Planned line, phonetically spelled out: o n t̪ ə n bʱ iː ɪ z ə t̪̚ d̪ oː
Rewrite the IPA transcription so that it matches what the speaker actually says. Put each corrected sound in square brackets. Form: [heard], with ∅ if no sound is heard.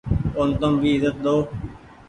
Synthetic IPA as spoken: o n t̪ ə [m] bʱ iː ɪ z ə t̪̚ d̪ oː